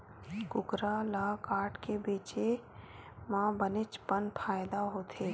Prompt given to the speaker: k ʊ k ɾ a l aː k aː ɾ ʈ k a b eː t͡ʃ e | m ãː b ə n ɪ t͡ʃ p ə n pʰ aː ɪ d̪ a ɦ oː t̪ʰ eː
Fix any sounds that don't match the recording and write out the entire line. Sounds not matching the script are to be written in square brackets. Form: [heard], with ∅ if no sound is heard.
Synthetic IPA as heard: k ʊ k ɾ a l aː k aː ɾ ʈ k [e] b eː t͡ʃ e | m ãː b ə n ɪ t͡ʃ p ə n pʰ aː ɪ d̪ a ɦ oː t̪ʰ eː